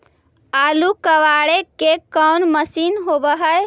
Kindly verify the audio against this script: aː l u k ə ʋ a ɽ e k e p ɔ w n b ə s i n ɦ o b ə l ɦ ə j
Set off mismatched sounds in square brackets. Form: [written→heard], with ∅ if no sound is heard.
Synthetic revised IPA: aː l u k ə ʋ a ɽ e k e [p→k] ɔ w n [b→m] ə s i n ɦ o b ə [l→∅] ɦ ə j